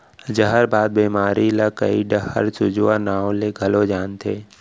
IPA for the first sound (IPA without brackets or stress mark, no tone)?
d͡ʒ